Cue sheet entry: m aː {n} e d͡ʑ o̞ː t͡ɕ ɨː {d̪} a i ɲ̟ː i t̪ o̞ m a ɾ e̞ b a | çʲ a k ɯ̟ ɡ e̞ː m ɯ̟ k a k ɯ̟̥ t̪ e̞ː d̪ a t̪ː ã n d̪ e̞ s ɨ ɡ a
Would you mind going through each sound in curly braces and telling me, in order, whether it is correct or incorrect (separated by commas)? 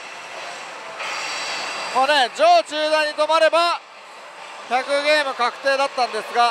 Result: correct, correct